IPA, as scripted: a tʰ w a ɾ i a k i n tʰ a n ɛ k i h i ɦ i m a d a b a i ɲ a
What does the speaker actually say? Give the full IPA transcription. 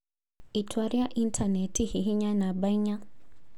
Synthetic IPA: i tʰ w a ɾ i a ʔ i n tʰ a n ɛ t i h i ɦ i ɲ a n a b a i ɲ a